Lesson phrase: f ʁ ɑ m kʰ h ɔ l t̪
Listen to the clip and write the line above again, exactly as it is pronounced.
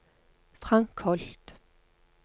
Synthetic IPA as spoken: f ʁ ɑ ŋ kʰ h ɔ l t̪